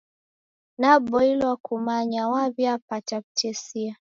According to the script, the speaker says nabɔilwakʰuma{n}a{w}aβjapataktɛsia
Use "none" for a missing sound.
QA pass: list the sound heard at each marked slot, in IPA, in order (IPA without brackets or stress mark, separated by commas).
ɲ, w